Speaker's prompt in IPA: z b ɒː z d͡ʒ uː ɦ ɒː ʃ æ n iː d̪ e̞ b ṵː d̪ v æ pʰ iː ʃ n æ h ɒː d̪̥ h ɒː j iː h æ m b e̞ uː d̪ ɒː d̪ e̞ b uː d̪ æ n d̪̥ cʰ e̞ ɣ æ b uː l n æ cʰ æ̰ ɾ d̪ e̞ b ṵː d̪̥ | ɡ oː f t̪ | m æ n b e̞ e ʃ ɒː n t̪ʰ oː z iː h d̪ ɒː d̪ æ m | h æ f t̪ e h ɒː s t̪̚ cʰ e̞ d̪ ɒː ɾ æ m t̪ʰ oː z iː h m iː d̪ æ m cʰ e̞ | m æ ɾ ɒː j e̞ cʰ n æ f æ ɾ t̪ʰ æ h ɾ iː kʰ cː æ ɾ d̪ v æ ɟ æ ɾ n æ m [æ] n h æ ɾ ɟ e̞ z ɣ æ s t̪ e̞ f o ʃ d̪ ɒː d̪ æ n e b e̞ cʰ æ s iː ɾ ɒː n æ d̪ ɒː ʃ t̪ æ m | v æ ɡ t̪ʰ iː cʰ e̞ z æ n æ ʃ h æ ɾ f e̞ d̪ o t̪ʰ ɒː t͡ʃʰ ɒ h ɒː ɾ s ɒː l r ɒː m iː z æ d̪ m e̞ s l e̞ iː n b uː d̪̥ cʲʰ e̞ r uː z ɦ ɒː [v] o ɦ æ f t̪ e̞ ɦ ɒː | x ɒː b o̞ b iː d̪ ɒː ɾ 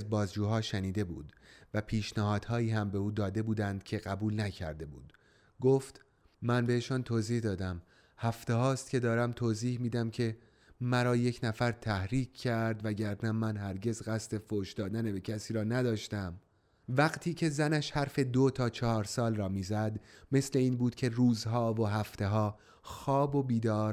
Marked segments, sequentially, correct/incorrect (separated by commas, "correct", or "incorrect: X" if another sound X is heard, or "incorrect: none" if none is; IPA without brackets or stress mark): correct, correct